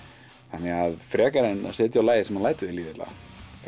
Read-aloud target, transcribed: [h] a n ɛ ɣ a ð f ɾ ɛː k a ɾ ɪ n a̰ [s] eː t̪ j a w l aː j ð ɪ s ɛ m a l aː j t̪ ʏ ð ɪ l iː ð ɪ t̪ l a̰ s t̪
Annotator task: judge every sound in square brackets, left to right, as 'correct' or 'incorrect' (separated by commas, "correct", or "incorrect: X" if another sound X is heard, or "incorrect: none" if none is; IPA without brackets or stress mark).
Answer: incorrect: θ, correct